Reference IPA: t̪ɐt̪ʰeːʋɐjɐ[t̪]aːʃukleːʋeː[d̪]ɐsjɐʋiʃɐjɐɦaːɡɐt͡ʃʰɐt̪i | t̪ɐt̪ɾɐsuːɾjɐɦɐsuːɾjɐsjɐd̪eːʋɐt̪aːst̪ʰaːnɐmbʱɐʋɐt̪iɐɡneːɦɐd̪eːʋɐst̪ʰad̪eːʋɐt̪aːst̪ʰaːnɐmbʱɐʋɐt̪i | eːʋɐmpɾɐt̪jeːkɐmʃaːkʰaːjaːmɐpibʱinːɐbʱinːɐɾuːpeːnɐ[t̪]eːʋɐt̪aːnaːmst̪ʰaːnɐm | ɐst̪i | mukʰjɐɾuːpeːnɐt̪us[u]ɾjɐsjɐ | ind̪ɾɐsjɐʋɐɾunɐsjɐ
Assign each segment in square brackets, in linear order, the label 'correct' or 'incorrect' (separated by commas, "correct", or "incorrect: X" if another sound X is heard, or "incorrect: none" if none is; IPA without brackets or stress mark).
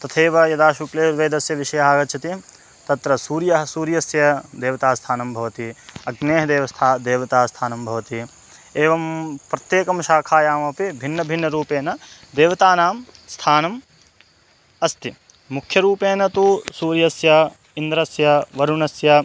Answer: incorrect: d̪, correct, incorrect: d̪, incorrect: uː